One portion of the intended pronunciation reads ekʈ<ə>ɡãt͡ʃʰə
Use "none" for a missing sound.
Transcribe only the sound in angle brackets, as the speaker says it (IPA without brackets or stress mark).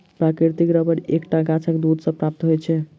a